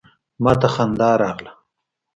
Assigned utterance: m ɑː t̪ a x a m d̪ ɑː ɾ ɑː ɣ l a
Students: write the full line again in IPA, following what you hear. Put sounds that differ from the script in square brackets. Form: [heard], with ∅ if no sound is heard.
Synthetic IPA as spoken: m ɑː t̪ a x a [n] d̪ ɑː ɾ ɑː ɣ l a